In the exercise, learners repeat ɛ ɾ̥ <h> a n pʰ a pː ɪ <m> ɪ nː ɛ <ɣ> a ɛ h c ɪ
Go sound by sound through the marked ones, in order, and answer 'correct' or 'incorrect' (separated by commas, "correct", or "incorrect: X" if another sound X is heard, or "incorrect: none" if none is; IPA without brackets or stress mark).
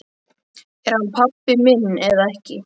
correct, correct, incorrect: ð